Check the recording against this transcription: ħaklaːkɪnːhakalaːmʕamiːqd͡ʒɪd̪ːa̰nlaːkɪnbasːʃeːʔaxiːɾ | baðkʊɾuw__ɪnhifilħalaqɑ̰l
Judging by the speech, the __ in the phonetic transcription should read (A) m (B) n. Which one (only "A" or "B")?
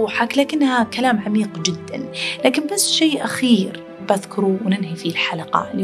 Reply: B